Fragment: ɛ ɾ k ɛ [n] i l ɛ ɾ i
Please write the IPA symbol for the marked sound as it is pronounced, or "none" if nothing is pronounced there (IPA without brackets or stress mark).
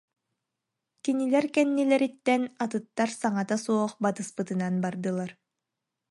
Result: nː